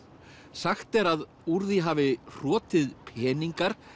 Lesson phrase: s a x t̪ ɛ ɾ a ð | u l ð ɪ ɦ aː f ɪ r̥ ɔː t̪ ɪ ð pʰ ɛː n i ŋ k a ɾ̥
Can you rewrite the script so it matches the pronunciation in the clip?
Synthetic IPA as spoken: s a x t̪ ɛ ɾ a ð | u ɾ ð i ɦ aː v ɪ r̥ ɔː t̪ ɪ ð pʰ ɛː n i ŋ k a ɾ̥